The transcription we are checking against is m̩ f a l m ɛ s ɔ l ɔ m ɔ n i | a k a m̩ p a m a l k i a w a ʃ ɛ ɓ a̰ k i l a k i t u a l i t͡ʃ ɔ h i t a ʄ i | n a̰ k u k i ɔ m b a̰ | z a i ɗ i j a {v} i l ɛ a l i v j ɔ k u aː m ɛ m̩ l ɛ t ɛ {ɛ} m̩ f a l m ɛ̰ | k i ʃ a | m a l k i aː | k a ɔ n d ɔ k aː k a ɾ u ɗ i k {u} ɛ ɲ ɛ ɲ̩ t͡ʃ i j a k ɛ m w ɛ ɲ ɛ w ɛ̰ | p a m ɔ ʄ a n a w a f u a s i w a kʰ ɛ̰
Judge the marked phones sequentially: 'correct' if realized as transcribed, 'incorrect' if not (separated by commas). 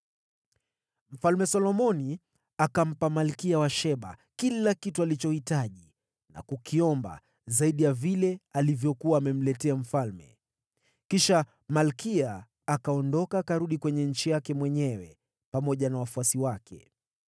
correct, incorrect, incorrect